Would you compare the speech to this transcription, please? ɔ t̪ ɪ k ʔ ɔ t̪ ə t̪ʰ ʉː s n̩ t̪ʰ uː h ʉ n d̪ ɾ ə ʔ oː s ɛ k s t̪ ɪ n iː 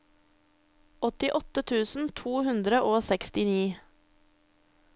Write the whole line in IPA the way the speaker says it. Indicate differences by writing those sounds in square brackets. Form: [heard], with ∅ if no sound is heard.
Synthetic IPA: ɔ t̪ ɪ [∅] ʔ ɔ t̪ ə t̪ʰ ʉː s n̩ t̪ʰ uː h ʉ n d̪ ɾ ə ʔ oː s ɛ k s t̪ ɪ n iː